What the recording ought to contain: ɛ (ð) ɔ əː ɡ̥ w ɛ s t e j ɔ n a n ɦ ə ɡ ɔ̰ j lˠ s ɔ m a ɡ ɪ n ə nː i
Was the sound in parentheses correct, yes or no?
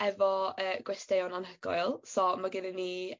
no